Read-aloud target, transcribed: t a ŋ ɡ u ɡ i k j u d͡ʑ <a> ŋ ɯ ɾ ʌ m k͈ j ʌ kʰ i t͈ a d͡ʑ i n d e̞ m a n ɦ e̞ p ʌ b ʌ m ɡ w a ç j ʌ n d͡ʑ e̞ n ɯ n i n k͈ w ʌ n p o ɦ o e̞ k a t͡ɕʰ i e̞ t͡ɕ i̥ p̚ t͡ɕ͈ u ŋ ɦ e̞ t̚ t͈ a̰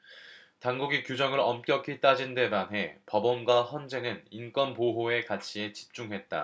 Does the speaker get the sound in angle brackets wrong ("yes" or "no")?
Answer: yes